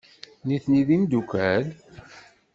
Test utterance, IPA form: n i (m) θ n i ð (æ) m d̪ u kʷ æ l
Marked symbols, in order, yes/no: no, no

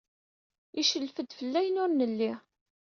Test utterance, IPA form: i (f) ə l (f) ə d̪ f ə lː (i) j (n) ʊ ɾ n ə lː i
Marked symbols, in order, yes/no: no, yes, no, yes

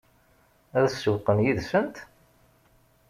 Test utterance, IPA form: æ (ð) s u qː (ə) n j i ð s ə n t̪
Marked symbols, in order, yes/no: yes, yes

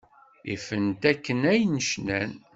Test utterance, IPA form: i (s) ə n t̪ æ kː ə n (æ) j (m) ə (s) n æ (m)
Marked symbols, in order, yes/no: no, yes, no, no, no

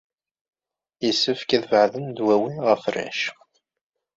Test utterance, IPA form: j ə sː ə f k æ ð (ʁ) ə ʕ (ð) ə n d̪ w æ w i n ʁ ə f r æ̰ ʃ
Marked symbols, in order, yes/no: no, yes

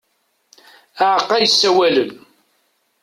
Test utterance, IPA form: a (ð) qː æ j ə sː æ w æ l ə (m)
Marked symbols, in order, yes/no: no, no

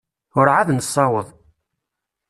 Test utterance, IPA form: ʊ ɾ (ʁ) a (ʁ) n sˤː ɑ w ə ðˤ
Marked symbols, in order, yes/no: no, no

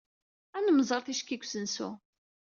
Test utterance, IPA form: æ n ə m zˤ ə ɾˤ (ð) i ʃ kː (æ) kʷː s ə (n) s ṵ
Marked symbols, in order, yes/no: no, no, yes

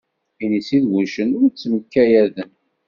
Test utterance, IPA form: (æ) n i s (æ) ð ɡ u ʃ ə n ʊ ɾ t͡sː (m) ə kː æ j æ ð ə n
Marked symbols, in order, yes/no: no, no, yes

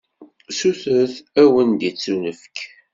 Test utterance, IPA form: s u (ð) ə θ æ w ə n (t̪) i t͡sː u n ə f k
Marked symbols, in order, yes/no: no, no

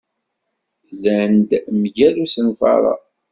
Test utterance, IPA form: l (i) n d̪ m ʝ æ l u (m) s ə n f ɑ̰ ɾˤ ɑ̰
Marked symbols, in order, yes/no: no, no

